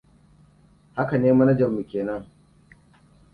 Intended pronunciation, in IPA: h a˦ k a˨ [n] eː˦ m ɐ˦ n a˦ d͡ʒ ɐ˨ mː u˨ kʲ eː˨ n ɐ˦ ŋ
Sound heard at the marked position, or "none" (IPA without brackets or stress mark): n